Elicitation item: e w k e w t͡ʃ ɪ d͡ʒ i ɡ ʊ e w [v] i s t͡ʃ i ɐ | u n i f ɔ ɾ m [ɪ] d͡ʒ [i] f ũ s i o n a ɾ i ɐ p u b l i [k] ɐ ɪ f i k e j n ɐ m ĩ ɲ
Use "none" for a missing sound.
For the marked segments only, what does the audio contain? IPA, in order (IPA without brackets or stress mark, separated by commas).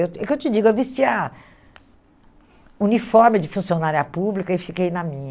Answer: v, ɪ, ɪ, k